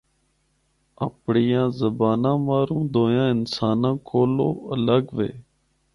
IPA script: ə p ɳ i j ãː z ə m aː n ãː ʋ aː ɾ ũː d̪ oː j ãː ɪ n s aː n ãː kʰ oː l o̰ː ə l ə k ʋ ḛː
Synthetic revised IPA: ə p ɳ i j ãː z ə b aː n ãː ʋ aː ɾ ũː d̪ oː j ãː ɪ n s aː n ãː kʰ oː l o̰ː ə l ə ɡ ʋ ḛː